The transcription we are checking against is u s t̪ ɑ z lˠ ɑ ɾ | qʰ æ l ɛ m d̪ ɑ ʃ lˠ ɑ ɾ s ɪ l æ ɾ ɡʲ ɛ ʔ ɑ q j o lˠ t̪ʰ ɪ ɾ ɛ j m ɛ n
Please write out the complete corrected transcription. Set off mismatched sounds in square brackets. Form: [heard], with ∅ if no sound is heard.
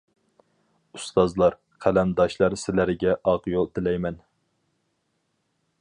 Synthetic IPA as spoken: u s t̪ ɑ z lˠ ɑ ɾ | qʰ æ l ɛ m d̪ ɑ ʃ lˠ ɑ ɾ s ɪ l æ ɾ ɡʲ ɛ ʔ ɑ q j o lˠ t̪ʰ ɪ [l] ɛ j m ɛ n